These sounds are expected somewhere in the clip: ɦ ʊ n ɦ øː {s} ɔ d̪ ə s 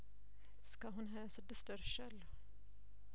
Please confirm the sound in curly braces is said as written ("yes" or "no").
yes